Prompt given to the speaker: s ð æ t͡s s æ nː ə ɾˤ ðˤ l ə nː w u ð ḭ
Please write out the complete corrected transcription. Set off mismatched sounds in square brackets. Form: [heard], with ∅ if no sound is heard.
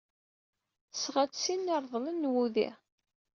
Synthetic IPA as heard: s [ʁ] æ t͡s s [i] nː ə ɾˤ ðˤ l ə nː w u ð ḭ